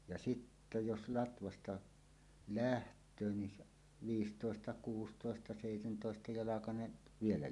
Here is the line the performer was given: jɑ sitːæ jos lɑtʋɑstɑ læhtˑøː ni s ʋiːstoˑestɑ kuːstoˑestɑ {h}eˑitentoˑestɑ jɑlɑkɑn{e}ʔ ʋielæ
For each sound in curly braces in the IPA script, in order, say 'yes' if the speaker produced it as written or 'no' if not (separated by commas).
no, yes